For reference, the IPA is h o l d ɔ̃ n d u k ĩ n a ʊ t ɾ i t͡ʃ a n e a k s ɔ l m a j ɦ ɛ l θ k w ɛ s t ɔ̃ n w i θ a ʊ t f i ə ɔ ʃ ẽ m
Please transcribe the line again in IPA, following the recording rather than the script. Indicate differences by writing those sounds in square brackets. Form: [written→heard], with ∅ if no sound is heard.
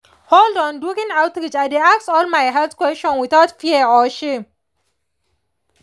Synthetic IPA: h o l d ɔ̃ n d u k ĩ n a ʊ t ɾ i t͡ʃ a [n→d] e a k s ɔ l m a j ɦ ɛ l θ k w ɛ s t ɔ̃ n w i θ a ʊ t f i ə ɔ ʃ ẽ m